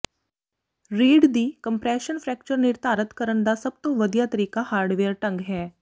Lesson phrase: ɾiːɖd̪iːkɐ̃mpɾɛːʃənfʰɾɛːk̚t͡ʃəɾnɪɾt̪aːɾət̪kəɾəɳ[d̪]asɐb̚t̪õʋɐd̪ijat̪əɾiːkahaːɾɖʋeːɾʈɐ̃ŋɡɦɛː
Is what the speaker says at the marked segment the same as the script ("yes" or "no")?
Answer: yes